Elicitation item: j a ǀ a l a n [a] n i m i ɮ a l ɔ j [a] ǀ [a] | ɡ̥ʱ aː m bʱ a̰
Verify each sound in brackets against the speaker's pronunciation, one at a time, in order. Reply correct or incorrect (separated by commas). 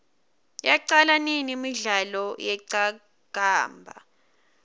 incorrect, incorrect, correct